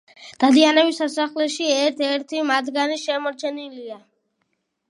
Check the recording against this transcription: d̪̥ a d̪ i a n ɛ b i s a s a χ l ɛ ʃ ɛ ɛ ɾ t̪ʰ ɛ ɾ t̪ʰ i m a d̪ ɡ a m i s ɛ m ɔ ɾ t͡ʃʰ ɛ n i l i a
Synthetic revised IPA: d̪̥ a d̪ i a n ɛ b i s a s a χ l ɛ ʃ i ɛ ɾ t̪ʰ ɛ ɾ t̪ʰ i m a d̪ ɡ a n i ʃ ɛ m ɔ ɾ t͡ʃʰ ɛ n i l i a